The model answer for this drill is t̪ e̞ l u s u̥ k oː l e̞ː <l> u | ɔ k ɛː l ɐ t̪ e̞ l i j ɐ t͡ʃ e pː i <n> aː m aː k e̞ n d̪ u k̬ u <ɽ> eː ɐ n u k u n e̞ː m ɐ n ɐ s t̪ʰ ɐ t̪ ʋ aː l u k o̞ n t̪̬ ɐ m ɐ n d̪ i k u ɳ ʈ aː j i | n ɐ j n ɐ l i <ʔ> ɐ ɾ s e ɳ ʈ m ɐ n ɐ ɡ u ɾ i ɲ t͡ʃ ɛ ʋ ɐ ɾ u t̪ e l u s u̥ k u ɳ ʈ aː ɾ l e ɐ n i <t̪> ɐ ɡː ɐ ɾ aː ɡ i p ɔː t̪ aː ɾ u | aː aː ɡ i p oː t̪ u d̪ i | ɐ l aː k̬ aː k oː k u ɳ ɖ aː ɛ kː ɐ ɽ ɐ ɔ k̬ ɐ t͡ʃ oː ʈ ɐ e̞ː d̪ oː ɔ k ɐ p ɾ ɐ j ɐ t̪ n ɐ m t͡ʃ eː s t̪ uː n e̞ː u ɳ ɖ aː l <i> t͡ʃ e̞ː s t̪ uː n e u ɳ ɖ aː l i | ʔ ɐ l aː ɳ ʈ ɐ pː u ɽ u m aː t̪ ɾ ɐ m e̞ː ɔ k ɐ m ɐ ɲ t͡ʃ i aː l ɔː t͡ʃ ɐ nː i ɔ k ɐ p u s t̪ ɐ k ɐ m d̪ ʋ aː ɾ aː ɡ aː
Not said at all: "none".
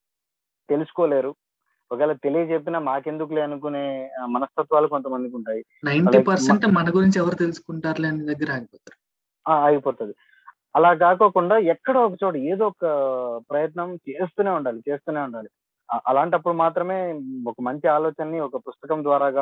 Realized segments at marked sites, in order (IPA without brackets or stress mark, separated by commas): ɾ, n, l, p, d̪, i